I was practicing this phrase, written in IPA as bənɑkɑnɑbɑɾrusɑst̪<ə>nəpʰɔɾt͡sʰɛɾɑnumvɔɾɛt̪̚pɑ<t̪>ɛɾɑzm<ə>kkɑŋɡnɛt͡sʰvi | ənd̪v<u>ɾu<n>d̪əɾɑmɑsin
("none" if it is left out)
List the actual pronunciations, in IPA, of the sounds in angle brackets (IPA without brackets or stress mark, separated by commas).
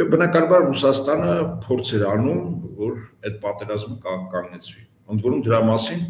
ɑ, t̪, ə, ɔ, m